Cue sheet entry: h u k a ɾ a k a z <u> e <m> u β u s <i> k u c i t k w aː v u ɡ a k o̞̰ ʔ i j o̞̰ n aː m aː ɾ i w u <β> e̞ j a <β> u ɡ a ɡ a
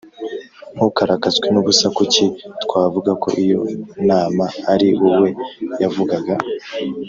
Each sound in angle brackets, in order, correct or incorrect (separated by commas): incorrect, incorrect, incorrect, incorrect, incorrect